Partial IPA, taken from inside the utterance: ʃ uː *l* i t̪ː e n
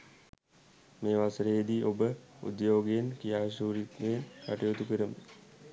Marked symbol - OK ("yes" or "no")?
no